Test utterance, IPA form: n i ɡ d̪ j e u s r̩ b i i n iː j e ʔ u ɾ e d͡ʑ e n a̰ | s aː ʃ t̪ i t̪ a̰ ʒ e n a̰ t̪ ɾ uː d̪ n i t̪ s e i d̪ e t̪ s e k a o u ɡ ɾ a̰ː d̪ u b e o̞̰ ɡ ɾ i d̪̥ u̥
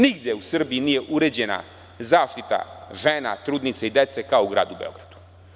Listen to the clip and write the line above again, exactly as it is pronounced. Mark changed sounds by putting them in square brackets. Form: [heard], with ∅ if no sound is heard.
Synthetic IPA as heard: n i ɡ d̪ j e u s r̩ b i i n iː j e ʔ u ɾ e d͡ʑ e n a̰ | [z] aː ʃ t̪ i t̪ a̰ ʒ e n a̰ t̪ ɾ uː d̪ n i t̪ s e i d̪ e t̪ s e k a o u ɡ ɾ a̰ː d̪ u b e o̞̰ ɡ ɾ [a] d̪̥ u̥

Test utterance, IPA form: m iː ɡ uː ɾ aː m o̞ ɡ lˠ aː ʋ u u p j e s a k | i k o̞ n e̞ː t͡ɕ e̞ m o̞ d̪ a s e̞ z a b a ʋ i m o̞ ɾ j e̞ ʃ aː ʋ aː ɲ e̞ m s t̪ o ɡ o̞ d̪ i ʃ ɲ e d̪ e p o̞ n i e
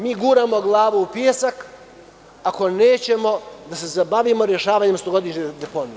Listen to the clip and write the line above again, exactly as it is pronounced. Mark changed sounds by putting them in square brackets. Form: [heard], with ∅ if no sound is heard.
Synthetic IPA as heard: m iː ɡ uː ɾ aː m o̞ ɡ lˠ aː ʋ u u p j e s a k | [a] k o̞ n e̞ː t͡ɕ e̞ m o̞ d̪ a s e̞ z a b a ʋ i m o̞ ɾ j e̞ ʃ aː ʋ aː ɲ e̞ m s t̪ o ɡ o̞ d̪ i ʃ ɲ e d̪ e p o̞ n i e

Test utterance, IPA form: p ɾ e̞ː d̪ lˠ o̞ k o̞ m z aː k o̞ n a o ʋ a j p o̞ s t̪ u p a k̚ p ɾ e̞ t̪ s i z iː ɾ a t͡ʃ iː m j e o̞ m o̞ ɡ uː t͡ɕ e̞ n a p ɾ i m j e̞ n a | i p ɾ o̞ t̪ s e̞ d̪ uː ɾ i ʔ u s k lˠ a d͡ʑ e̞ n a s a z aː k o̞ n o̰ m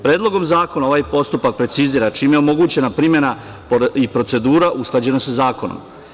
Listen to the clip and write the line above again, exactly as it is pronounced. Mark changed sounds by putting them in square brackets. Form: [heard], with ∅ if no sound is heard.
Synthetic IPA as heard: p ɾ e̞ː d̪ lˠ o̞ [ɡ] o̞ m z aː k o̞ n a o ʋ a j p o̞ s t̪ u p a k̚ p ɾ e̞ t̪ s i z iː ɾ a t͡ʃ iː m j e o̞ m o̞ ɡ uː t͡ɕ e̞ n a p ɾ i m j e̞ n a | i p ɾ o̞ t̪ s e̞ d̪ uː ɾ [a] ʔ u s k lˠ a d͡ʑ e̞ n a s a z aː k o̞ n o̰ m

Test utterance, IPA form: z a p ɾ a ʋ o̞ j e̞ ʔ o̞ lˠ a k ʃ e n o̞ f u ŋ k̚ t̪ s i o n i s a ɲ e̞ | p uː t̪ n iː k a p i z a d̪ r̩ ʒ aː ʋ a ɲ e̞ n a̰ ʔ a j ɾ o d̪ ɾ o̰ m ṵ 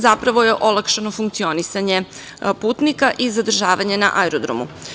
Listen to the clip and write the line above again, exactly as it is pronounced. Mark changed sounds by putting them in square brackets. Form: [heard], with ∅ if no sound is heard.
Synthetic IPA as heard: z a p ɾ a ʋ o̞ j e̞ ʔ o̞ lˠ a k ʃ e n o̞ f u ŋ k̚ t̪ s i o n i s a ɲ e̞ | p uː t̪ n [i] k a [ʔ] i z a d̪ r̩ ʒ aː ʋ a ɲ e̞ n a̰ ʔ a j ɾ o d̪ ɾ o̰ m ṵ

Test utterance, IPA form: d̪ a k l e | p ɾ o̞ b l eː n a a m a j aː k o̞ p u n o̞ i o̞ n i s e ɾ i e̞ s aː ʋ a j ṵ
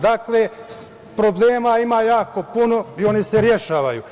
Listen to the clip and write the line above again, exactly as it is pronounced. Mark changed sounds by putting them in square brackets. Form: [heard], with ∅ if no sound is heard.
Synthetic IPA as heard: d̪ a k l e | p ɾ o̞ b l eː [m] a [i] m a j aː k o̞ p u n o̞ i o̞ n i s e ɾ [j] e̞ [ʃ] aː ʋ a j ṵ

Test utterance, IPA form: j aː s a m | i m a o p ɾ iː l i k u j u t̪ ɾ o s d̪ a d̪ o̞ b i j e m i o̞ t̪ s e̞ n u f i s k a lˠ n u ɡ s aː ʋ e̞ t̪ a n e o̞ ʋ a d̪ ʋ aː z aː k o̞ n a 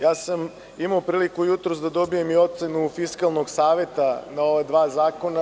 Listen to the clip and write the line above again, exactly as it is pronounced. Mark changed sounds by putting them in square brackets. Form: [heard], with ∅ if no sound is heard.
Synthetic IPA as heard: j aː s a m | i m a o p ɾ iː l i k u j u t̪ ɾ o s d̪ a d̪ o̞ b i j e m i o̞ t̪ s e̞ n u f i s k a lˠ n [o] ɡ s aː ʋ e̞ t̪ a n [a] o̞ ʋ a d̪ ʋ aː z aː k o̞ n a

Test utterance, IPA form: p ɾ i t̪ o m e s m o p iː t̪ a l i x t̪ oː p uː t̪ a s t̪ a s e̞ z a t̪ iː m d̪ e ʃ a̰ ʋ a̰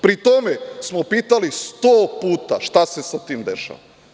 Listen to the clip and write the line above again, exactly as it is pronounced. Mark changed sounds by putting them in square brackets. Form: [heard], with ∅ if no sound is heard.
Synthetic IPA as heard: p ɾ i t̪ o m e s m o p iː t̪ a l i [s] t̪ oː p uː t̪ a [ʃ] t̪ a s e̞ [s] a t̪ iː m d̪ e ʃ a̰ ʋ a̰

